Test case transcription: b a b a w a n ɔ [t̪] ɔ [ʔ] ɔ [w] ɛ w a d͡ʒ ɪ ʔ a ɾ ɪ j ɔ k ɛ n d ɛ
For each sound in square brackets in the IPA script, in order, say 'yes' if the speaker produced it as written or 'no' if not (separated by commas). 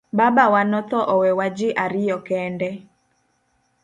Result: yes, yes, yes